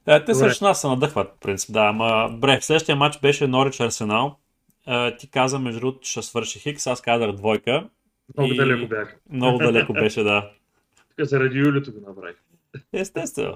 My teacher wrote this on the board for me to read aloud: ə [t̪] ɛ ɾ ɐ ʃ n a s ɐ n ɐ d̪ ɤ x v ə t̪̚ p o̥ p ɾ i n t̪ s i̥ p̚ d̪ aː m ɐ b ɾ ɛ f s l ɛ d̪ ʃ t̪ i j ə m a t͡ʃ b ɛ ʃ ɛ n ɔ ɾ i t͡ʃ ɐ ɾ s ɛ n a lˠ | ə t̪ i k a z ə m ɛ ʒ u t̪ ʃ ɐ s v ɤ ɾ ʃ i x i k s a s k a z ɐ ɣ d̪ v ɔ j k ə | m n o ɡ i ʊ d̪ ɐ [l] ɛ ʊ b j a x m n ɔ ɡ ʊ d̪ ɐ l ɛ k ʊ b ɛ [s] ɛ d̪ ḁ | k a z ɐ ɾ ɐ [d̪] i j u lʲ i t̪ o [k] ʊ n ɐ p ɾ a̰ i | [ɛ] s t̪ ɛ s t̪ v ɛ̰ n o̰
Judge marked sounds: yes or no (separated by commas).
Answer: yes, yes, no, yes, no, yes